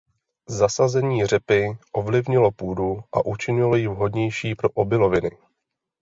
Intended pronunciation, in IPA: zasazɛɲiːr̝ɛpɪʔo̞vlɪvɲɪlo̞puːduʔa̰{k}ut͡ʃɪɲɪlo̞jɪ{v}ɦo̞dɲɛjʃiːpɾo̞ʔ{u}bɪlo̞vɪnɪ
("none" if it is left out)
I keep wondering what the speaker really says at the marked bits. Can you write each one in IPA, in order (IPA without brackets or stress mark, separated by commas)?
ʔ, v, o